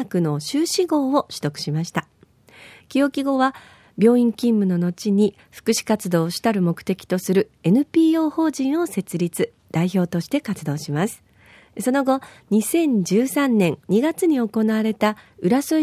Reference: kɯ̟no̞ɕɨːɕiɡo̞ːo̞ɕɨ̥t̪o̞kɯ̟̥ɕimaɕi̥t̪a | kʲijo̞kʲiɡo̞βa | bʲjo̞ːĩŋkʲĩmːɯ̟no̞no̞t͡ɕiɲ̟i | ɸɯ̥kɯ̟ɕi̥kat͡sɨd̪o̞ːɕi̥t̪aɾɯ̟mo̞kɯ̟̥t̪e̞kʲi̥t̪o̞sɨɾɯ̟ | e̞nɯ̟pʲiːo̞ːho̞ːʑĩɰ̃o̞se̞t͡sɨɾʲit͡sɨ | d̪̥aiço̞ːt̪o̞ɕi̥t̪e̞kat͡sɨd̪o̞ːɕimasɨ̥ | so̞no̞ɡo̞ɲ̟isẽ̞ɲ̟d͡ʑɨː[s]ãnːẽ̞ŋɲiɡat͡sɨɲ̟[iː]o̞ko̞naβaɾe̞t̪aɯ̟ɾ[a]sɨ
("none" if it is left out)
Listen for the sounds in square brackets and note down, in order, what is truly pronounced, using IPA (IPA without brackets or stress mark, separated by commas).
s, i, a